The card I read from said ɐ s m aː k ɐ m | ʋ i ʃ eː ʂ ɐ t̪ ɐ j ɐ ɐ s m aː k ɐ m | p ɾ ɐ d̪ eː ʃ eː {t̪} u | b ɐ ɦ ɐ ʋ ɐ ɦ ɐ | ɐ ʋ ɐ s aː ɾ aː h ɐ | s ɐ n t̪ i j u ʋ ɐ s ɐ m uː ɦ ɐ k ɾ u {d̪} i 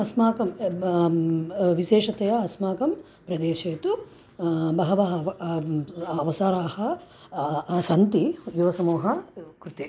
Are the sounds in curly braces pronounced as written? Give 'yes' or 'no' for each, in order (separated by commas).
yes, no